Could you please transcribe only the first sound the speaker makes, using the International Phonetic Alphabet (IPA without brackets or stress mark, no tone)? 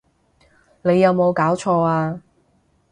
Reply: n